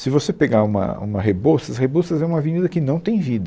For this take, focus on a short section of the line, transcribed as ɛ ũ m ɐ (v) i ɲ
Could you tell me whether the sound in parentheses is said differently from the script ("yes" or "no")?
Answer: no